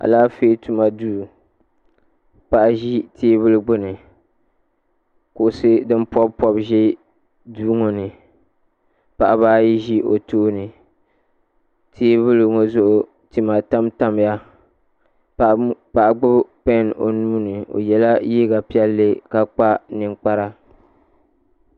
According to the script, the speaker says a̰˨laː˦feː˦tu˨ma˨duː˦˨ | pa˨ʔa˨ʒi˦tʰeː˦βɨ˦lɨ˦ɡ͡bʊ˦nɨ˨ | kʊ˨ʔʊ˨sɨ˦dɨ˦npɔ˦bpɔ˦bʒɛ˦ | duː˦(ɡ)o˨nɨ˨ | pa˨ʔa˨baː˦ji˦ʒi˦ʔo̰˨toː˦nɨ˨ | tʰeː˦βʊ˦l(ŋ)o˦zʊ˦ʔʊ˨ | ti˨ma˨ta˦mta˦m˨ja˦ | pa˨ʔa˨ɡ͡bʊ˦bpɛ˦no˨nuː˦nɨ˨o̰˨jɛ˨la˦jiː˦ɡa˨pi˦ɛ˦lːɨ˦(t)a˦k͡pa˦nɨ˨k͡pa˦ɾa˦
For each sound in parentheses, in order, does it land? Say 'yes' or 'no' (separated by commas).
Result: no, yes, no